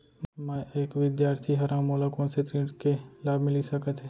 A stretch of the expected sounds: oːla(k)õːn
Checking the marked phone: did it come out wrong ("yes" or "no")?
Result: no